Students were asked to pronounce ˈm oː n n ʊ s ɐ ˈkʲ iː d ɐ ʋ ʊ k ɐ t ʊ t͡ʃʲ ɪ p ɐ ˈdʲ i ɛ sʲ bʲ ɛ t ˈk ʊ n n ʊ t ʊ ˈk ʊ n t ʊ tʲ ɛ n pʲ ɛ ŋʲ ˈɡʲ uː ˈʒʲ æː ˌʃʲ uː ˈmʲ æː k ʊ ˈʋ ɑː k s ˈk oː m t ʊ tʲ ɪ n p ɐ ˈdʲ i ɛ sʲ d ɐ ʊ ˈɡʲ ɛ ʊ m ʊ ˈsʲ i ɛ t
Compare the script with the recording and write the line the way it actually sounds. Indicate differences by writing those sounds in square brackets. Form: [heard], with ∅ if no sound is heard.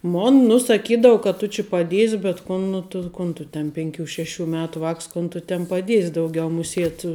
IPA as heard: ˈm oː n n ʊ s ɐ ˈkʲ iː d ɐ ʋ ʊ k ɐ t ʊ t͡ʃʲ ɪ p ɐ ˈdʲ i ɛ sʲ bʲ ɛ t ˈk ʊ n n ʊ t ʊ ˈk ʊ n t ʊ tʲ ɛ n pʲ ɛ ŋʲ [ˈkʲ] uː [ˈʃʲ] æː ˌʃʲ uː ˈmʲ æː [t] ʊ ˈʋ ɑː k s ˈk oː [n] t ʊ tʲ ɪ n p ɐ ˈdʲ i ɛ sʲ d ɐ ʊ ˈɡʲ ɛ ʊ m ʊ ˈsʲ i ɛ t

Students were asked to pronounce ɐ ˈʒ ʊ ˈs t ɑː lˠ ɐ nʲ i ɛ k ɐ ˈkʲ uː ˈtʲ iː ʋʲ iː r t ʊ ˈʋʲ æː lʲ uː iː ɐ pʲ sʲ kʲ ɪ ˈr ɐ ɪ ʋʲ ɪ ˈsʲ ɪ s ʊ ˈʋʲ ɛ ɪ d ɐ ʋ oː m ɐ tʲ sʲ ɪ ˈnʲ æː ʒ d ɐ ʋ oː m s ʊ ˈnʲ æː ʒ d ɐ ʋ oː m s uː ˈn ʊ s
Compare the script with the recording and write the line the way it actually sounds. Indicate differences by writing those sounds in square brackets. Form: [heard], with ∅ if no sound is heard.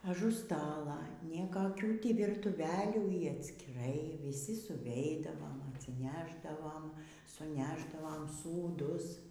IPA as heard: ɐ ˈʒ ʊ ˈs t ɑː lˠ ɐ nʲ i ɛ k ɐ ˈkʲ uː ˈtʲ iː ʋʲ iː r t ʊ ˈʋʲ æː lʲ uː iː ɐ [tʲ] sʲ kʲ ɪ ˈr ɐ ɪ ʋʲ ɪ ˈsʲ ɪ s ʊ ˈʋʲ ɛ ɪ d ɐ ʋ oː m ɐ tʲ sʲ ɪ ˈnʲ æː ʒ d ɐ ʋ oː m s ʊ ˈnʲ æː ʒ d ɐ ʋ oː m s uː [ˈd] ʊ s

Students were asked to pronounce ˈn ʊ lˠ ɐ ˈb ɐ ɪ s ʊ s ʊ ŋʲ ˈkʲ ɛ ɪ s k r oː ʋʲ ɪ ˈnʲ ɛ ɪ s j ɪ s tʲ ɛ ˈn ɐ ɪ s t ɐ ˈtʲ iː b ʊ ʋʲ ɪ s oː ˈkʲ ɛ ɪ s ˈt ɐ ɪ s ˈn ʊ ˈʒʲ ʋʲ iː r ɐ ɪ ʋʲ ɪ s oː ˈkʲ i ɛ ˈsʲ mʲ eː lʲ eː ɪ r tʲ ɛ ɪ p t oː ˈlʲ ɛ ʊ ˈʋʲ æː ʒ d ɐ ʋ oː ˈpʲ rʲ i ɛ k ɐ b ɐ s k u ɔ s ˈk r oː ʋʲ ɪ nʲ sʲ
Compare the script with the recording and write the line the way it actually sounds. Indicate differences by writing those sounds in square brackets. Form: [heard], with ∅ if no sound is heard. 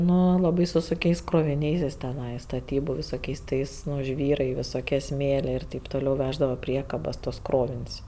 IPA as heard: ˈn ʊ lˠ ɐ ˈb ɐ ɪ s ʊ s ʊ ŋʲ ˈkʲ ɛ ɪ s k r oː ʋʲ ɪ ˈnʲ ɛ ɪ s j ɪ s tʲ ɛ ˈn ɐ ɪ s t ɐ ˈtʲ iː b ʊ ʋʲ ɪ s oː ˈkʲ ɛ ɪ s ˈt ɐ ɪ s ˈn ʊ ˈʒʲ ʋʲ iː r ɐ ɪ ʋʲ ɪ s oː ˈkʲ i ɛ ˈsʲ mʲ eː lʲ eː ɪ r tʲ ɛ ɪ p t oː ˈlʲ ɛ ʊ ˈʋʲ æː ʒ d ɐ ʋ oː ˈpʲ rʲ i ɛ k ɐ b ɐ s [t] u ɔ s ˈk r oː ʋʲ ɪ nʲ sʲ

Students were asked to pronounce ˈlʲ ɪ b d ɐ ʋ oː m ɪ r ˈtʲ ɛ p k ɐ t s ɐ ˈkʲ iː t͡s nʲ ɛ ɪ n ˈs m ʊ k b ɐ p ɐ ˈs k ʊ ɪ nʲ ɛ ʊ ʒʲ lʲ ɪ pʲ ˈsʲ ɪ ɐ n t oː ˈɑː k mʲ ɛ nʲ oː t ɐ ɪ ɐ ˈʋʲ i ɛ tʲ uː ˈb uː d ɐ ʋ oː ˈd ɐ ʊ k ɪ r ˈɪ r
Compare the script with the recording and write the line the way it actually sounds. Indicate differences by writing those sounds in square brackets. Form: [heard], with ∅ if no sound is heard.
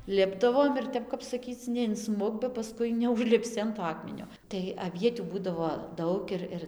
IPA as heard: ˈlʲ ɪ b d ɐ ʋ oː m ɪ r ˈtʲ ɛ p k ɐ [p] s ɐ ˈkʲ iː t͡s nʲ ɛ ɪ n ˈs m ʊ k b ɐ p ɐ ˈs k ʊ ɪ nʲ ɛ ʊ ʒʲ lʲ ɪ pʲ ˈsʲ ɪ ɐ n t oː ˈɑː k mʲ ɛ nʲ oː t ɐ ɪ ɐ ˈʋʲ i ɛ tʲ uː ˈb uː d ɐ ʋ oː ˈd ɐ ʊ k ɪ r ˈɪ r

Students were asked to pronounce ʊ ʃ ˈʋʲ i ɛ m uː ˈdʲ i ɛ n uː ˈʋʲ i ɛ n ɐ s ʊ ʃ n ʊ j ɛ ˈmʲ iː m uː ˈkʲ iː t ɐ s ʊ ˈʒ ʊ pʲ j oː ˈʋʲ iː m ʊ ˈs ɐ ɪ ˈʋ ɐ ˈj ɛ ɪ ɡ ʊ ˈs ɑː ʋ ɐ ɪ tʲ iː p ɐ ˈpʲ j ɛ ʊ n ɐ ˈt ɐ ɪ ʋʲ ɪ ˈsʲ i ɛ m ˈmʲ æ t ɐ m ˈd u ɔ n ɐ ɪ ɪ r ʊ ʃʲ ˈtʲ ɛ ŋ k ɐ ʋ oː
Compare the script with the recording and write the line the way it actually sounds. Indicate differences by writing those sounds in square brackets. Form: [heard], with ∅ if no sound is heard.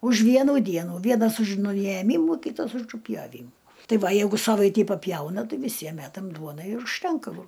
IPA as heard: ʊ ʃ ˈʋʲ i ɛ [n] uː ˈdʲ i ɛ n uː ˈʋʲ i ɛ n ɐ s ʊ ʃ n ʊ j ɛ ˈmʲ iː m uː ˈkʲ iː t ɐ s ʊ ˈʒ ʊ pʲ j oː ˈʋʲ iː m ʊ [ˈt] ɐ ɪ ˈʋ ɐ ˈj ɛ ɪ ɡ ʊ ˈs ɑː ʋ ɐ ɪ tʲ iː p ɐ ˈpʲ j ɛ ʊ n ɐ ˈt ɐ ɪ ʋʲ ɪ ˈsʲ i ɛ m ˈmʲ æ t ɐ m ˈd u ɔ n ɐ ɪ ɪ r ʊ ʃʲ ˈtʲ ɛ ŋ k ɐ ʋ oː

